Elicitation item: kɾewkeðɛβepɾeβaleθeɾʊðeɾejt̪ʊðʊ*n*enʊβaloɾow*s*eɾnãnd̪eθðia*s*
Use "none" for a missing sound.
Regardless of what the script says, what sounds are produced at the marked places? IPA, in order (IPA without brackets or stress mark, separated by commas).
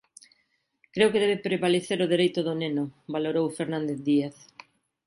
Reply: n, f, θ